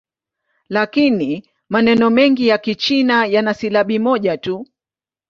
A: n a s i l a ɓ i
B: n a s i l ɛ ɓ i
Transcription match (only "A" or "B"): A